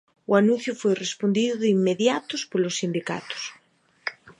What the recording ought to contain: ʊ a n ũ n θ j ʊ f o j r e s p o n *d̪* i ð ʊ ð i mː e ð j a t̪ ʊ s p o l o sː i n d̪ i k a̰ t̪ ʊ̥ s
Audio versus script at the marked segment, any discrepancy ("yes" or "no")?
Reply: no